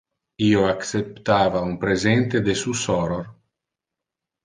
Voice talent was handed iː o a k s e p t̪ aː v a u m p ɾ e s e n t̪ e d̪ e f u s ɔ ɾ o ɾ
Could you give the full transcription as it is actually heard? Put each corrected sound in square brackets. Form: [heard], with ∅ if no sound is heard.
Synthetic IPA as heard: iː o a k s e p t̪ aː v a u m p ɾ e [z] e n t̪ e d̪ e [s] u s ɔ ɾ o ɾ